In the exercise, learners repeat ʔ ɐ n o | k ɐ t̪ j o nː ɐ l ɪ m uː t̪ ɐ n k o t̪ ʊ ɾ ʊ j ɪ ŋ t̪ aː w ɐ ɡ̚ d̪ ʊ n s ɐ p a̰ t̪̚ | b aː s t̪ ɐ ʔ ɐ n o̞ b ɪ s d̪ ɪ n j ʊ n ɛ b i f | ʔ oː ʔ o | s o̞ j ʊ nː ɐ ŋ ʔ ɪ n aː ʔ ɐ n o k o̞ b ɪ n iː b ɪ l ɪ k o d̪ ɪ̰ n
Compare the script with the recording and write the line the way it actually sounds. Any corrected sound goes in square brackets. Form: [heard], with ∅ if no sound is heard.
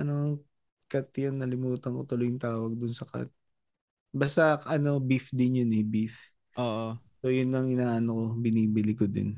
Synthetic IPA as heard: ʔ ɐ n o | k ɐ t̪ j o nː ɐ l ɪ m uː t̪ ɐ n k o t̪ ʊ [l] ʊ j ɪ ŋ t̪ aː w ɐ ɡ̚ d̪ ʊ n s ɐ [k] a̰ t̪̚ | b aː s t̪ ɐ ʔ ɐ n o̞ b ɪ [f] d̪ ɪ n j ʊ n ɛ b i f | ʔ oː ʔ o | s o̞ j ʊ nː ɐ ŋ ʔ ɪ n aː ʔ ɐ n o k o̞ b ɪ n iː b ɪ l ɪ k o d̪ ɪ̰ n